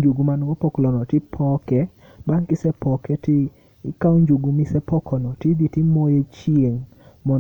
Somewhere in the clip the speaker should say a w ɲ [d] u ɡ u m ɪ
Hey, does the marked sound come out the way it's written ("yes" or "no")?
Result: no